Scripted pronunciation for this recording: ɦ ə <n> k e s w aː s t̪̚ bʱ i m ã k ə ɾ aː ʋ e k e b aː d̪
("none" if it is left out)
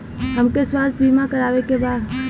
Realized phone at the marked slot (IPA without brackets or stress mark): m